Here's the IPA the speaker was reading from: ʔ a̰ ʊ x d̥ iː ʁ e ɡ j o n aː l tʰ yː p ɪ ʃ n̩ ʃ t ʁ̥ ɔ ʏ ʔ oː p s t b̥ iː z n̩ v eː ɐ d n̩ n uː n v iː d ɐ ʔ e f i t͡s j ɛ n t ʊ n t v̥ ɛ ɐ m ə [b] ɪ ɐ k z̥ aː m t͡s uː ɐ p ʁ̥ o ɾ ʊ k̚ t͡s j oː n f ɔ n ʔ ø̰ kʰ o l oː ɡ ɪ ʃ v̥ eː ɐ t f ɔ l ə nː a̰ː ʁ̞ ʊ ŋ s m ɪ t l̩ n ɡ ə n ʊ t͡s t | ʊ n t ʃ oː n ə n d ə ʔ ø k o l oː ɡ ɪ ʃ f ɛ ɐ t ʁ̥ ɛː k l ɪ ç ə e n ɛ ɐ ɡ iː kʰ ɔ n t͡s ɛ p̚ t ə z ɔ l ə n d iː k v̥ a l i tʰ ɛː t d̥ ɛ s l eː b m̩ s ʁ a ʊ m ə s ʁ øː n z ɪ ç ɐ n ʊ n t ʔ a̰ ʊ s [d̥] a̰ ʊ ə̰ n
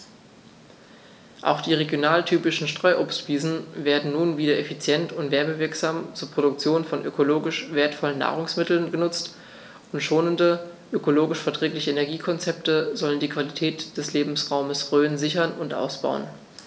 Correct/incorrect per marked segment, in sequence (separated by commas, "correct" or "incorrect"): incorrect, incorrect